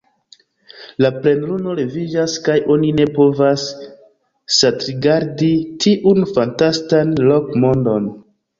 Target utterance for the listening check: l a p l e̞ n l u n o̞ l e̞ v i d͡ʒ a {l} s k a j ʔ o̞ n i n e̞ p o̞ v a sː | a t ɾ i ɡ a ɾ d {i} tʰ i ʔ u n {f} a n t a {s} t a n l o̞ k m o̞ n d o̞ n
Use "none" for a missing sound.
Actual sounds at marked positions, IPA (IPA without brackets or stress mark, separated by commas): none, i, f, s